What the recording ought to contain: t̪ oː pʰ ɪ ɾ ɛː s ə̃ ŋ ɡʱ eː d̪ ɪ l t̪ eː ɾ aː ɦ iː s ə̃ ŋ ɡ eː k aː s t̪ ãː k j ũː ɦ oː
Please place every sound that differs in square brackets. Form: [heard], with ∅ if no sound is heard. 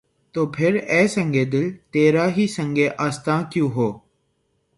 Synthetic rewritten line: t̪ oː pʰ ɪ ɾ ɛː s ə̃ ŋ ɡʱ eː d̪ ɪ l t̪ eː ɾ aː ɦ iː s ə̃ ŋ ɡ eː [ʔ] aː s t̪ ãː k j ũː ɦ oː